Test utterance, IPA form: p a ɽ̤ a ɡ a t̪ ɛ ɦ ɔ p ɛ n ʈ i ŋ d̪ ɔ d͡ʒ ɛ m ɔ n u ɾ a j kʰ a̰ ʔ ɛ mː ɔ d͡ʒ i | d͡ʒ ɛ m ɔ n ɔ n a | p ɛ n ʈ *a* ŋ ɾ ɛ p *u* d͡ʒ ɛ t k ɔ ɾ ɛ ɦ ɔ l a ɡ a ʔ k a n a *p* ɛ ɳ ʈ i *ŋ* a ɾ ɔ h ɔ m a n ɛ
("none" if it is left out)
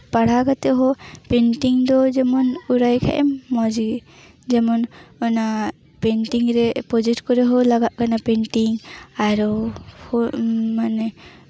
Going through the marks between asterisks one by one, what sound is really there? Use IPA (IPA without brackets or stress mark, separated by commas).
i, ɔ, p, ŋ